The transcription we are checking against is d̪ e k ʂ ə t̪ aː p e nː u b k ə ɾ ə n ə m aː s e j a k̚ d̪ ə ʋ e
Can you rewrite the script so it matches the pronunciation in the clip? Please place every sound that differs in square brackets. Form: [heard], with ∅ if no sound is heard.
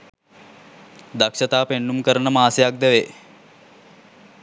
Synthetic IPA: d̪ [a] k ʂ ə t̪ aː p e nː u [m] k ə ɾ ə n ə m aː s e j a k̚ d̪ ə ʋ e